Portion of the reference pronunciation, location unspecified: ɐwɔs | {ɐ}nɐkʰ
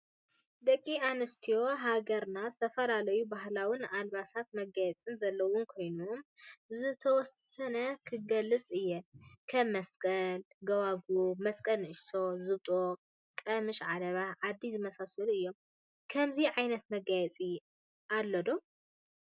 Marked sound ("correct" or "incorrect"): correct